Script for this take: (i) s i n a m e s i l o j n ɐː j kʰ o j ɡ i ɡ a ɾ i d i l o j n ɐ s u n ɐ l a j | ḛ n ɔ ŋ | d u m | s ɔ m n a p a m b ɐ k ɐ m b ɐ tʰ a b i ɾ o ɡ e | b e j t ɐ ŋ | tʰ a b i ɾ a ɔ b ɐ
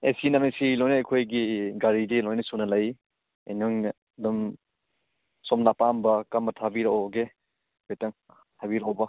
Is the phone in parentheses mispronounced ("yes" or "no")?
yes